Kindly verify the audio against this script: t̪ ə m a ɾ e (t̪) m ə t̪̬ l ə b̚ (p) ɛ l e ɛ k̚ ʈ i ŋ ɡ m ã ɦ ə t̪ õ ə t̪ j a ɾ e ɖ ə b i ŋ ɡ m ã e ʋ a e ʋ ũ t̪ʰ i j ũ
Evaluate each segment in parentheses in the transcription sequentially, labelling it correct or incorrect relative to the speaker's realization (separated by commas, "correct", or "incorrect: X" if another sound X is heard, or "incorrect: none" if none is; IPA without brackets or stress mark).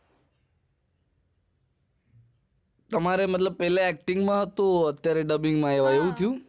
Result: incorrect: none, correct